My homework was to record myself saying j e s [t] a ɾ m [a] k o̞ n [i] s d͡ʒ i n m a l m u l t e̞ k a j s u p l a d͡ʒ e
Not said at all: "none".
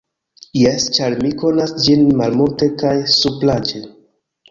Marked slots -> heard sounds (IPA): t͡ʃ, i, a

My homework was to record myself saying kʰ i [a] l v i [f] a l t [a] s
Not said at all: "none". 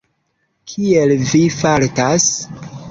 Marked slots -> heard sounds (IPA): e, f, a

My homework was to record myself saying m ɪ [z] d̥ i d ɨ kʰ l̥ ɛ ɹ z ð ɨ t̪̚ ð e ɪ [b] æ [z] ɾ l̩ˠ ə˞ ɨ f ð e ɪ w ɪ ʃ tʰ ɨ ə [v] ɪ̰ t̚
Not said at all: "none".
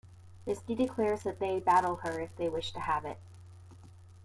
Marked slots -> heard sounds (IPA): s, b, none, v

